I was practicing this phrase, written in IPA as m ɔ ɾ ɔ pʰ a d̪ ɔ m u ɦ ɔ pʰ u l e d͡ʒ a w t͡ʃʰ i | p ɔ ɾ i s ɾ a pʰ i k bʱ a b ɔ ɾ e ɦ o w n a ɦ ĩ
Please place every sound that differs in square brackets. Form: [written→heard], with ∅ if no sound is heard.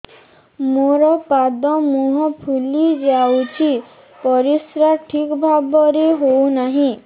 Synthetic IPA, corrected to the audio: m [ɔ→o] ɾ ɔ [pʰ→p] a d̪ ɔ m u ɦ ɔ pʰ u l [e→i] d͡ʒ a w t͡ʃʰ i | p ɔ ɾ i s ɾ a [pʰ→ʈʰ] i k bʱ a b ɔ ɾ e ɦ o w n a ɦ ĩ